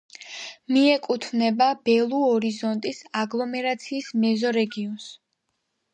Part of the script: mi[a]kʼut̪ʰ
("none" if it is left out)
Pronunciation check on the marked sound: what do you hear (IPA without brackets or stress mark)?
ɛ